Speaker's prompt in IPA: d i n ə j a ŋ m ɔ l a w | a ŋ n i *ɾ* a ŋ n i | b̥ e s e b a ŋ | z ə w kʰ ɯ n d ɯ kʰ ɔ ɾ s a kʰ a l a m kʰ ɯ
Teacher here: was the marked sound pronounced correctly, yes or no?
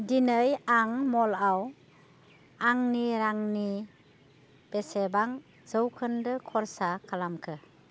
yes